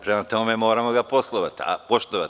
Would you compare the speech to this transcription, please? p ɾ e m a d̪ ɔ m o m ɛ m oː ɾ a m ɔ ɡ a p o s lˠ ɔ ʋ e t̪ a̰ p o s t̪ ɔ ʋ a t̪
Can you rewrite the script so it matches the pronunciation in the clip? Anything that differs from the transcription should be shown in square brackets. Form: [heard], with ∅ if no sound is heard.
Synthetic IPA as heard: p ɾ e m a [t̪] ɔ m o m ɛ m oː ɾ a m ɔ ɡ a p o s lˠ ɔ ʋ [a] t̪ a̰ p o [ʃ] t̪ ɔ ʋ a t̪